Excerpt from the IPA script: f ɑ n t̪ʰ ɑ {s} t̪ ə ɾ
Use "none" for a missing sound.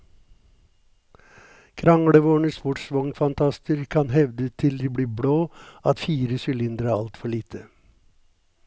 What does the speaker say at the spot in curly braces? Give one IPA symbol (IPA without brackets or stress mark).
s